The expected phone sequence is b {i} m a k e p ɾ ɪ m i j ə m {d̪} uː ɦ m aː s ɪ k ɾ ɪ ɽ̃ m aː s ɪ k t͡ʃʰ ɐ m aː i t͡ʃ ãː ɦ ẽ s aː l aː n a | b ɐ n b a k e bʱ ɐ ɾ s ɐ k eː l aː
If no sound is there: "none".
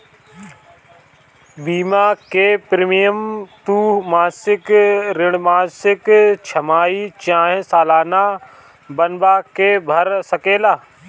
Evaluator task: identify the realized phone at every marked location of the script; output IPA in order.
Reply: iː, t̪

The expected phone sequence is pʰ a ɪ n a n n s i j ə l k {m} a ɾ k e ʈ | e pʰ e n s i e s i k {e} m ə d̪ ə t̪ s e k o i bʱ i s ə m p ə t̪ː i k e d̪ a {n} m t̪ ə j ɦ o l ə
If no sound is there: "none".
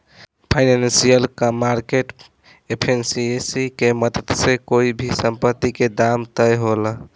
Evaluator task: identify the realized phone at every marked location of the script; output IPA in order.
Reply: m, e, none

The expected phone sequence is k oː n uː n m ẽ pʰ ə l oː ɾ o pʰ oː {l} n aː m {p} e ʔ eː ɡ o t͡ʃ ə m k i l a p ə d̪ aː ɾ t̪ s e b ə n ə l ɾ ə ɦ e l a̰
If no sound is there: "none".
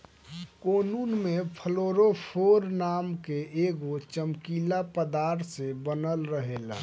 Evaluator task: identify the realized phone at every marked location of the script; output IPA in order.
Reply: ɾ, k

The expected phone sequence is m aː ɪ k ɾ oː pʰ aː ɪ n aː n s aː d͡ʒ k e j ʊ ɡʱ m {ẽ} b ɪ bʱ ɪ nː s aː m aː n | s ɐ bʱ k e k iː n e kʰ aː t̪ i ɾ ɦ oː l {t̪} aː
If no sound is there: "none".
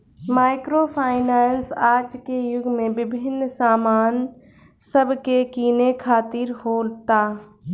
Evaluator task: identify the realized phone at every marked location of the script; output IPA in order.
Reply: ẽ, t̪

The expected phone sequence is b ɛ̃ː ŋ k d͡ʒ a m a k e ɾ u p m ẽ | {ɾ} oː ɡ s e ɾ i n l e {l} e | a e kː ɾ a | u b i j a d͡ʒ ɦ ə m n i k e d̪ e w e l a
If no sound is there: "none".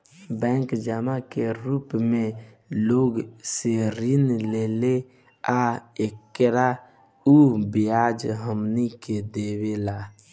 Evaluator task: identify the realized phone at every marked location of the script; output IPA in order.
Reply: l, l

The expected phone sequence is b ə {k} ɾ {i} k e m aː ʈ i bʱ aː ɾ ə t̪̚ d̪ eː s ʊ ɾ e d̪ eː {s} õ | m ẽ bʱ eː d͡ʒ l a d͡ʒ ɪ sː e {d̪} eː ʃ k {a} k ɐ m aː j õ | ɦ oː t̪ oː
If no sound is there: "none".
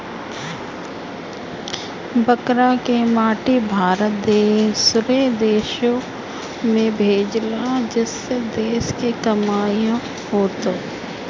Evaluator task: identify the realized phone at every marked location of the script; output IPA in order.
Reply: k, a, ʃ, d̪, e

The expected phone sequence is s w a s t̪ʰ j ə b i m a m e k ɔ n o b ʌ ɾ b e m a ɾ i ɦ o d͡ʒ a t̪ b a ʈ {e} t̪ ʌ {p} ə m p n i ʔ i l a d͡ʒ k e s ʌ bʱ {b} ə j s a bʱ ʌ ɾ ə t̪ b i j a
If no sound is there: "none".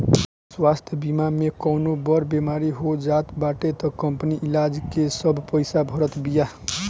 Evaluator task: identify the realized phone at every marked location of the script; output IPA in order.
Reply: e, k, p

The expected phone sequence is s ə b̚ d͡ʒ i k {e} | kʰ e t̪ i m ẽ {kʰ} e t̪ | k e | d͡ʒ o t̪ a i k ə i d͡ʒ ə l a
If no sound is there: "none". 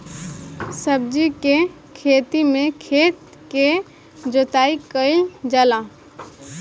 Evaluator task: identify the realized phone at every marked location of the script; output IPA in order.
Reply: e, kʰ

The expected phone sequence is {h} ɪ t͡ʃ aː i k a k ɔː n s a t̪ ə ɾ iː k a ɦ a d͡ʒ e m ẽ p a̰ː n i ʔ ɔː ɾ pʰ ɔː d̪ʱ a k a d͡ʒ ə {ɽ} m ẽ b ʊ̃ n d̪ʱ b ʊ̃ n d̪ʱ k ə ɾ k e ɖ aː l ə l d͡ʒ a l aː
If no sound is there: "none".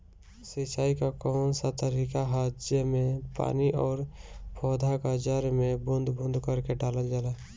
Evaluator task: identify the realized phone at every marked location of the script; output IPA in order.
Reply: s, ɾ

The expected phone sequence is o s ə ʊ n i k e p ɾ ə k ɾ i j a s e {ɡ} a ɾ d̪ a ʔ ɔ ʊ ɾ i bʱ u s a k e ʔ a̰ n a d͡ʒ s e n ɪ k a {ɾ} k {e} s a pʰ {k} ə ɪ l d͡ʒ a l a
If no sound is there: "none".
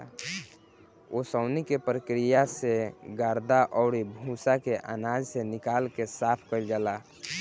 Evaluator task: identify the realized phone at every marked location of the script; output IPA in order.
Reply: ɡ, l, e, k

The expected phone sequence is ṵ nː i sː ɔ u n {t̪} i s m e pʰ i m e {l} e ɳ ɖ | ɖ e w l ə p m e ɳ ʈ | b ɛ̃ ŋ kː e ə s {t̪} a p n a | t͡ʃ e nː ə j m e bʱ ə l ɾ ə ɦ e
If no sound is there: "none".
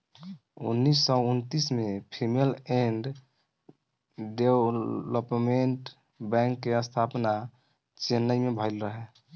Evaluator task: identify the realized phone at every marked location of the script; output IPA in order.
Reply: t̪, l, t̪ʰ

